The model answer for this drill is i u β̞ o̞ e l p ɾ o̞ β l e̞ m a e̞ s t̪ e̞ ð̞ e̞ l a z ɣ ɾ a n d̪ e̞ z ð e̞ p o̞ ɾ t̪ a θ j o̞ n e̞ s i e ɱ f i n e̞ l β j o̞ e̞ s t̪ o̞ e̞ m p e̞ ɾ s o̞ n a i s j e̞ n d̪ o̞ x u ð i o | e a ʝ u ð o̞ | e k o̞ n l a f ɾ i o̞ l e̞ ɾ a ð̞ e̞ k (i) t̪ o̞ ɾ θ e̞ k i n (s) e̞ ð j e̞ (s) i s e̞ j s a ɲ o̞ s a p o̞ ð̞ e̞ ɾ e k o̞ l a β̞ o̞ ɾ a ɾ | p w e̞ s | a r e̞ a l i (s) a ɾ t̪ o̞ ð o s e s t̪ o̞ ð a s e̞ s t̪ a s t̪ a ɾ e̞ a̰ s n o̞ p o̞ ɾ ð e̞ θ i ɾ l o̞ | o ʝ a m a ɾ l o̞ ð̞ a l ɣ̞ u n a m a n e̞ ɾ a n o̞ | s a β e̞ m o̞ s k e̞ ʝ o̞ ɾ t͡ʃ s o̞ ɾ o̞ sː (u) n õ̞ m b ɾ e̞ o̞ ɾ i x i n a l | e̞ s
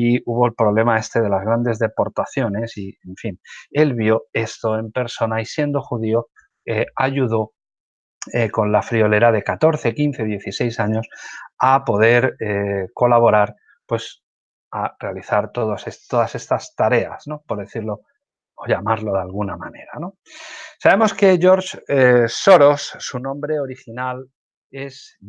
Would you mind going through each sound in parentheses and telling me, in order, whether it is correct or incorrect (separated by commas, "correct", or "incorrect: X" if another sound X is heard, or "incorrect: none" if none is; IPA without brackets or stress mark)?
incorrect: a, incorrect: θ, incorrect: θ, incorrect: θ, correct